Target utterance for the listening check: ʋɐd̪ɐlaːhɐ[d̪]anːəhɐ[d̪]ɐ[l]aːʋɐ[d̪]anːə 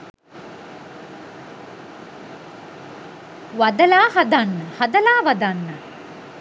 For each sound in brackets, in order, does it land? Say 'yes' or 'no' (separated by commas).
yes, yes, yes, yes